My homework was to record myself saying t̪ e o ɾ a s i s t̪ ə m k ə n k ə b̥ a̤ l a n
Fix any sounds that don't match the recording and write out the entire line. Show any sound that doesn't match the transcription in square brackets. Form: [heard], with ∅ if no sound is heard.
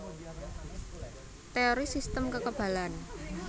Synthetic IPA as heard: t̪ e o ɾ [i] s i s t̪ ə m k ə [∅] k ə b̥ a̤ l a n